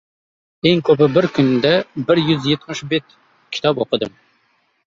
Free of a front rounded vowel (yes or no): no